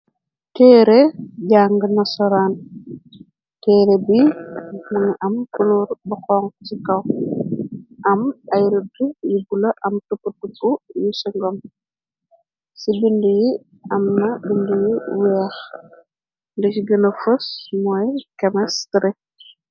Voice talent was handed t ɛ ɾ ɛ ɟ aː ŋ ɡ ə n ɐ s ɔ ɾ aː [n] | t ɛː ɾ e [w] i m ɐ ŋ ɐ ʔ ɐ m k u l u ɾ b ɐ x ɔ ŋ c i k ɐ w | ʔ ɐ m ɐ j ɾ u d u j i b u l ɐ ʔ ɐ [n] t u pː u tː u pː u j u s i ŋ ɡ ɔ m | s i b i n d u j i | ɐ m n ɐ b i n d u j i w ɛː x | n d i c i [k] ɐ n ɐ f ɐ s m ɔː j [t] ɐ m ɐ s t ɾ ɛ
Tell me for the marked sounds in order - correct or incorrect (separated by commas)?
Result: correct, incorrect, incorrect, incorrect, incorrect